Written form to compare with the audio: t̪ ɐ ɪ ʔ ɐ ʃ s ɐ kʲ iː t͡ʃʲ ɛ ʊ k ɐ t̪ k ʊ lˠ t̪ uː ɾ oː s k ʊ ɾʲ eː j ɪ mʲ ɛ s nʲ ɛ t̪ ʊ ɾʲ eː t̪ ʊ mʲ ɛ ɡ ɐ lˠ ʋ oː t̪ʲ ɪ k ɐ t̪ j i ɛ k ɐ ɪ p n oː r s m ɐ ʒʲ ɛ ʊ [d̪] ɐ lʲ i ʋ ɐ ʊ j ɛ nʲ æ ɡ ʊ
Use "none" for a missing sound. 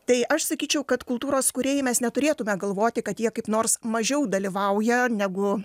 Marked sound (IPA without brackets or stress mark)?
d̪